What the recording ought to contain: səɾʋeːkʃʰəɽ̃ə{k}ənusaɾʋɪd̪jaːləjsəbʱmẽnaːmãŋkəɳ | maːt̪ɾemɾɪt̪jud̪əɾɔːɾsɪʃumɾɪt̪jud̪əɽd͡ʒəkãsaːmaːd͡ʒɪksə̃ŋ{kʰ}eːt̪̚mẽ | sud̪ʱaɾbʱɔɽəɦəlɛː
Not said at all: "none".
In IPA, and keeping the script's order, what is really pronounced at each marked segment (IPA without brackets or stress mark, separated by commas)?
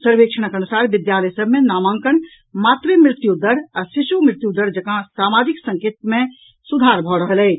k, k